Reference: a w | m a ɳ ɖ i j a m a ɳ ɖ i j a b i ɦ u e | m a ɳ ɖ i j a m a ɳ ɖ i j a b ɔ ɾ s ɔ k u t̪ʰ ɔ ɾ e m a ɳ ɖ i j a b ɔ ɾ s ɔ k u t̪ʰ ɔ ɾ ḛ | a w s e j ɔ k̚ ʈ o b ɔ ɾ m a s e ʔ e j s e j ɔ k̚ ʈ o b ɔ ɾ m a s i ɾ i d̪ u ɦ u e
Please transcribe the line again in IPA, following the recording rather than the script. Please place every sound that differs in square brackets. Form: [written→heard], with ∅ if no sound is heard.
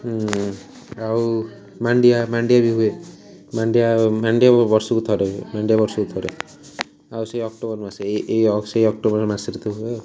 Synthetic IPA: a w | m a ɳ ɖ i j a m a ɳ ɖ i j a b i ɦ u e | m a ɳ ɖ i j a m a ɳ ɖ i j a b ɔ ɾ s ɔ k u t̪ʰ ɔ ɾ e m a ɳ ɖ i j a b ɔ ɾ s ɔ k u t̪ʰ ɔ ɾ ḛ | a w s e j ɔ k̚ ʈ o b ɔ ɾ m a s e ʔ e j s e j ɔ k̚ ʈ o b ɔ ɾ m a s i ɾ i [d̪→t̪] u ɦ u e